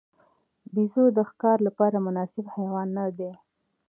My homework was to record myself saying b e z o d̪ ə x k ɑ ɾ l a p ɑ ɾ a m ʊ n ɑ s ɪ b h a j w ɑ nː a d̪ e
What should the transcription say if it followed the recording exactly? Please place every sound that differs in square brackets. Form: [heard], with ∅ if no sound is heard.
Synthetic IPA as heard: b [i] z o d̪ ə x k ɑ ɾ l a p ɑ ɾ a m ʊ n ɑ s ɪ b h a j w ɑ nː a d̪ e